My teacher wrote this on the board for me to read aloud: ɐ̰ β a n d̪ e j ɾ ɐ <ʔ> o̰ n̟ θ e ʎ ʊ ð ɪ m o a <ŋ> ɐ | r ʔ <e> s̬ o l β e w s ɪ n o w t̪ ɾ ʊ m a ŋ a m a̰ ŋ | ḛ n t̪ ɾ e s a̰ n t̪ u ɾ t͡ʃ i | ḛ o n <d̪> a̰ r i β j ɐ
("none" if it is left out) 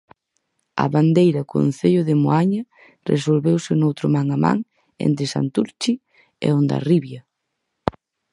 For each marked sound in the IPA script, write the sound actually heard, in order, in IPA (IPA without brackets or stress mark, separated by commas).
k, ɲ, e, d̪